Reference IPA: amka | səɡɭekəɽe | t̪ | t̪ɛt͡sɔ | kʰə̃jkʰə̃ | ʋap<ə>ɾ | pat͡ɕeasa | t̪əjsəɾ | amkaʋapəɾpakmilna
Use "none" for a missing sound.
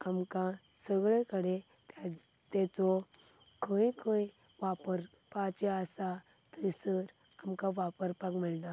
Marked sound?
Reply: ə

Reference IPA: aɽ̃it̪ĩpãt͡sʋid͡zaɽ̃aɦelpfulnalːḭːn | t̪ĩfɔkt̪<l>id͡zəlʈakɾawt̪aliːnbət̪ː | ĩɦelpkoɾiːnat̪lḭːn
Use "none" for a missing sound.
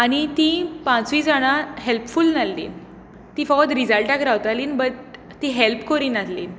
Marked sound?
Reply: ɾ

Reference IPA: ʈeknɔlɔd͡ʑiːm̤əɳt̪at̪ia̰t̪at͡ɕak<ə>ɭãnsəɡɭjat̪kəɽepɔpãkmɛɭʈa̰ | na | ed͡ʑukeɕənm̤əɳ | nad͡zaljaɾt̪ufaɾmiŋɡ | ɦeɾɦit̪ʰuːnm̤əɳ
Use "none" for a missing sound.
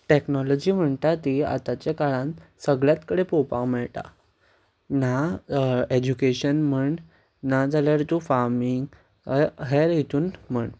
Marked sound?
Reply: a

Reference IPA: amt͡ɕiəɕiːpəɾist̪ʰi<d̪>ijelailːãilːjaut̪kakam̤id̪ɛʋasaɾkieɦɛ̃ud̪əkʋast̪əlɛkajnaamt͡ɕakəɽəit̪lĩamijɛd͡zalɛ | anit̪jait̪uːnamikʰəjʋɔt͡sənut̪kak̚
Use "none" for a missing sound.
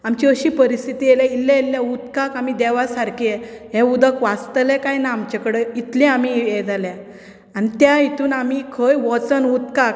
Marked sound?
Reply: t̪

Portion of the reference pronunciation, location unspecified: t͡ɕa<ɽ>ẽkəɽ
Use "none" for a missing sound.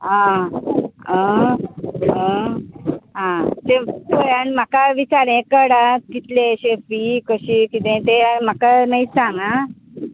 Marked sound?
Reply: ɾ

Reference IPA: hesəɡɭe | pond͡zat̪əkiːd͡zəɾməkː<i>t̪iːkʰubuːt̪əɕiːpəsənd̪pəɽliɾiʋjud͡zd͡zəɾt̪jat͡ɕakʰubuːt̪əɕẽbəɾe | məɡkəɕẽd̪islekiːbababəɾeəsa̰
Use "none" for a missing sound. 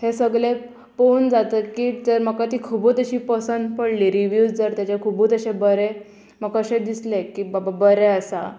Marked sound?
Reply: a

